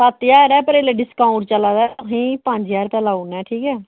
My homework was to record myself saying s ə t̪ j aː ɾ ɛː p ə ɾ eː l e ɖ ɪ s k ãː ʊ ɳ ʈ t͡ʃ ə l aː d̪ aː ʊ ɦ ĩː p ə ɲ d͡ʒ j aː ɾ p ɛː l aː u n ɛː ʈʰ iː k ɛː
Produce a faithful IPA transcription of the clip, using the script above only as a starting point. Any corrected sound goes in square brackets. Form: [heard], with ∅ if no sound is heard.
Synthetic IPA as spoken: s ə t̪ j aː ɾ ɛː p ə ɾ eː l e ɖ ɪ s k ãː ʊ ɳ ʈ t͡ʃ ə l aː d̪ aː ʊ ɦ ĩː p ə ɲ d͡ʒ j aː ɾ p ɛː l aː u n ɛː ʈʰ iː k ɛː

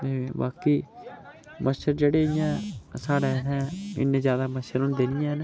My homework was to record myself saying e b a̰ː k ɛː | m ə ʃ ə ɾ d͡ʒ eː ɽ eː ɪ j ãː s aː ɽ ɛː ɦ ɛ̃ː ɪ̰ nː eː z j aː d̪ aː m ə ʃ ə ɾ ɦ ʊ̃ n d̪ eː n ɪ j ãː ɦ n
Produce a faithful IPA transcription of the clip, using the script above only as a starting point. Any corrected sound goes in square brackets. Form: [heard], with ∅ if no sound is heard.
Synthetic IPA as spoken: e b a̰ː k [iː] | m ə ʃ ə ɾ d͡ʒ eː ɽ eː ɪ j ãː s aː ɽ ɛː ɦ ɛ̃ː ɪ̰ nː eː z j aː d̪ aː m ə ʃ ə ɾ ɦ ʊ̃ n d̪ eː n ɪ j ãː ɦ n

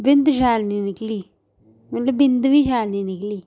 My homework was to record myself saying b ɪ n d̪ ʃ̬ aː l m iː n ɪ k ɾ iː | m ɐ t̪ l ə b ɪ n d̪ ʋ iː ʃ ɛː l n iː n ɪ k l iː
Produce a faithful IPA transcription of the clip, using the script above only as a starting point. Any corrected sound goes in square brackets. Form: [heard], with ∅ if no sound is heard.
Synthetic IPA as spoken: b ɪ n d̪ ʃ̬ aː l [n] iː n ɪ k [l] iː | m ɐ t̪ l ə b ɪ n d̪ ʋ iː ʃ [aː] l n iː n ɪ k l iː

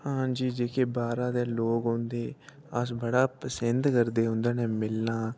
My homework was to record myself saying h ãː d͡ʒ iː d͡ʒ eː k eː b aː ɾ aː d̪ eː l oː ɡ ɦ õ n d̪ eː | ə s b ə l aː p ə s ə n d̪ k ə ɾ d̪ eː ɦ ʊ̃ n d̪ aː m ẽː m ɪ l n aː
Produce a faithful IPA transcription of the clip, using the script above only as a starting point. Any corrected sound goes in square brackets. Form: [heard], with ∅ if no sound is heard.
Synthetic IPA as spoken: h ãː d͡ʒ iː d͡ʒ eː k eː b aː ɾ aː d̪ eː l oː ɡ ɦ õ n d̪ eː | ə s b ə [ɽ] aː p ə s ə n d̪ k ə ɾ d̪ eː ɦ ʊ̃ n d̪ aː [n] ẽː m ɪ l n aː

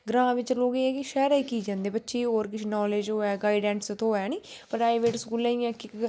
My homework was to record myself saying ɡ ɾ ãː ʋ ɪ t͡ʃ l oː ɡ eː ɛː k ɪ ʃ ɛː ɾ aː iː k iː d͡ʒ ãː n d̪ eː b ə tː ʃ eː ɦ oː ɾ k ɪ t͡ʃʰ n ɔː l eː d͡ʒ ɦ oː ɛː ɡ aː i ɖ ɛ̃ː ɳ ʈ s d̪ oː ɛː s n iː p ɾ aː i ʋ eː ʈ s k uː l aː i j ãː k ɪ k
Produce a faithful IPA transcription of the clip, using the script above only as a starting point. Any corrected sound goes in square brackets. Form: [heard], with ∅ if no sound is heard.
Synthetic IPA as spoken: ɡ ɾ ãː ʋ ɪ t͡ʃ l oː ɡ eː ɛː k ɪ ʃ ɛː ɾ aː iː k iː d͡ʒ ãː n d̪ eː b ə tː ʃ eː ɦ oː ɾ k ɪ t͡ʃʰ n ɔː l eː d͡ʒ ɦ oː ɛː ɡ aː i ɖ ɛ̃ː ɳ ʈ s [t̪] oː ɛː [∅] n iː p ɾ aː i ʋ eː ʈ s k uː l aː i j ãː k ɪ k

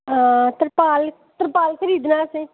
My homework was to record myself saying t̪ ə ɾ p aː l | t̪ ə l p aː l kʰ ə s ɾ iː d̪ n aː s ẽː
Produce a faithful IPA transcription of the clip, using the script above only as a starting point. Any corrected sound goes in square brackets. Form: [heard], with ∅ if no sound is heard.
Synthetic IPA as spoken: t̪ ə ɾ p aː l | t̪ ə [ɾ] p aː l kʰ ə [∅] ɾ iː d̪ n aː s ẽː

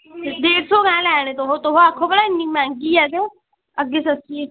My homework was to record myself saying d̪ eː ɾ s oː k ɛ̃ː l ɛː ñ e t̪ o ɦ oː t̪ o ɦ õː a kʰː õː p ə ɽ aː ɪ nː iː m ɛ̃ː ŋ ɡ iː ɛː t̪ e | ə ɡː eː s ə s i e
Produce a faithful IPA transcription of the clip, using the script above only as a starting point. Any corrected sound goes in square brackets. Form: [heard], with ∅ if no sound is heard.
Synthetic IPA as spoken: d̪ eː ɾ s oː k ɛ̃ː l ɛː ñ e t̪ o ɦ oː t̪ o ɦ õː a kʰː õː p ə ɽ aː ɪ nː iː m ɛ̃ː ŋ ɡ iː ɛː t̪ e | ə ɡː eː s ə s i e

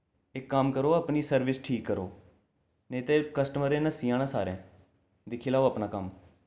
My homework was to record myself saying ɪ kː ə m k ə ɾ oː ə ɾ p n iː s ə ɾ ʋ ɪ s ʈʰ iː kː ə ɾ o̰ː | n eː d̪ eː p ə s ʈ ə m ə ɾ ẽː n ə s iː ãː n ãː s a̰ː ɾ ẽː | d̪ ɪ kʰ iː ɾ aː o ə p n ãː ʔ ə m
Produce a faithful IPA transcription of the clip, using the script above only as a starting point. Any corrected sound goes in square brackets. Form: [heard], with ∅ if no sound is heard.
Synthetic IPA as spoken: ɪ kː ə m k ə ɾ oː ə [∅] p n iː s ə ɾ ʋ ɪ s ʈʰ iː kː ə ɾ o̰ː | n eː [t̪] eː [k] ə s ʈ ə m ə ɾ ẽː n ə s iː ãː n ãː s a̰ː ɾ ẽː | d̪ ɪ kʰ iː [l] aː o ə p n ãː [k] ə m

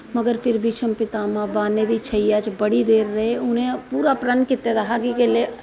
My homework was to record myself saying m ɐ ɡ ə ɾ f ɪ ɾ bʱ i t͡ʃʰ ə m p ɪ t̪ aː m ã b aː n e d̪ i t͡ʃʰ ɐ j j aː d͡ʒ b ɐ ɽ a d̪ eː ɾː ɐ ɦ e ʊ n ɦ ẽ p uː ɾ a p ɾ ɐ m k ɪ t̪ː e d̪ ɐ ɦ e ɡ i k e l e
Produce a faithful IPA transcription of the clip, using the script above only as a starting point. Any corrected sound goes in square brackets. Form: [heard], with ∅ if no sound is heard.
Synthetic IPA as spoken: m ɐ ɡ ə ɾ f ɪ ɾ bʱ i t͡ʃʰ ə m p ɪ t̪ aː m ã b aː n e d̪ i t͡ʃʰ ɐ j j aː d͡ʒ b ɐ ɽ [i] d̪ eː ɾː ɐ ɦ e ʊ n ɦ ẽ p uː ɾ a p ɾ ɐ [n] k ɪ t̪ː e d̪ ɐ ɦ [a] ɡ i k e l e

